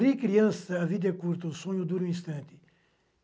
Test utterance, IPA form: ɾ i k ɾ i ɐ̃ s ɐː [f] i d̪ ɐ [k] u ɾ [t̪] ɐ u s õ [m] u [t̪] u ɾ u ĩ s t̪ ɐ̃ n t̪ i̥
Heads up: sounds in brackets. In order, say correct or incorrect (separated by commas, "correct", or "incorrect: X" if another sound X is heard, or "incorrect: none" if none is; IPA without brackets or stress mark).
incorrect: v, correct, correct, incorrect: ɲ, incorrect: d̪